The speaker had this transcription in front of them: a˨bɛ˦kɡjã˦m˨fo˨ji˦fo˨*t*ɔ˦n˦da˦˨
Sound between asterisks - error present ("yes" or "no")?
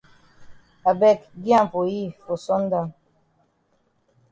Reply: yes